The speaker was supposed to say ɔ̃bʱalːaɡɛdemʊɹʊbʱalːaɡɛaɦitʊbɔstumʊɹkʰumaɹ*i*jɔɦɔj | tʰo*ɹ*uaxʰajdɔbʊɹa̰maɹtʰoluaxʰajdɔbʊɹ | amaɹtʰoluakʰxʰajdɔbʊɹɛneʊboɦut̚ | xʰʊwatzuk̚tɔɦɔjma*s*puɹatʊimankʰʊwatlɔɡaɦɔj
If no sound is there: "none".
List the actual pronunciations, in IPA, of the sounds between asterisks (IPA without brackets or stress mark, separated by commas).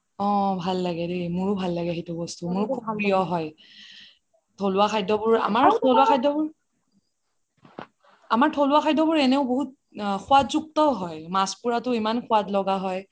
i, l, s